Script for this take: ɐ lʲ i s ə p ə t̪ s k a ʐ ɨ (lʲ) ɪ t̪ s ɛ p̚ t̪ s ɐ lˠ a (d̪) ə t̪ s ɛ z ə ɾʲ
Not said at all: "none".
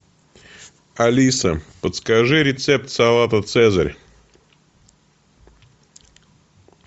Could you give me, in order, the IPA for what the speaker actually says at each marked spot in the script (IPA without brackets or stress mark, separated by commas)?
ɾʲ, t̪